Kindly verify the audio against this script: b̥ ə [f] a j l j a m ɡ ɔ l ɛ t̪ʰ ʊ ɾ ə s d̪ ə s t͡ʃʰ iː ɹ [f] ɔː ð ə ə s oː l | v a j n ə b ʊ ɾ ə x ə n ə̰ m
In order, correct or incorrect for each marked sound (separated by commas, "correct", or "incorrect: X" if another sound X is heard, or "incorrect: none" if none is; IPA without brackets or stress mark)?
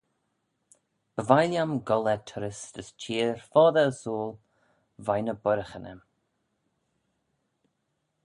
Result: incorrect: v, correct